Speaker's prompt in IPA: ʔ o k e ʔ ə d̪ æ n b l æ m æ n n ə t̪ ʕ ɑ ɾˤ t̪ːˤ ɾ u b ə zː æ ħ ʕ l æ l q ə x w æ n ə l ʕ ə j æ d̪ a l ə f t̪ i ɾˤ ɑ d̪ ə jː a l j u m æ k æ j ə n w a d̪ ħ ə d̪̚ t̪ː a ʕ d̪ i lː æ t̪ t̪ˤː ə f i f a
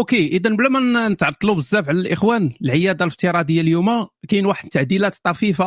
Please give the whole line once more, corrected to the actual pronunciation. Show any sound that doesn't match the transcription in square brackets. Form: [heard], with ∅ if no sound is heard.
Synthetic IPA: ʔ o k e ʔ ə d̪ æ n b l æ m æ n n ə t̪ ʕ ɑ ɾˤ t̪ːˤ [l] u b ə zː æ [f] ʕ l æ l [ʔ] ə x w æ n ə l ʕ ə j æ d̪ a l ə f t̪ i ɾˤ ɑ d̪ ə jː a l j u m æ k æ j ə n w a [∅] ħ ə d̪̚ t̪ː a ʕ d̪ i [l] æ t̪ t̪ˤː [ɑ] f i f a